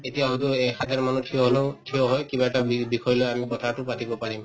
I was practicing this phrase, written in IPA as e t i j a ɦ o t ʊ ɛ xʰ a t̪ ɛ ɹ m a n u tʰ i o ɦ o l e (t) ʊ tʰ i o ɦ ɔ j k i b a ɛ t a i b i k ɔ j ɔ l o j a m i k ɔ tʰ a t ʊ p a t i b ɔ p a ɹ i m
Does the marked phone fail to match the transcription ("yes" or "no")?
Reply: yes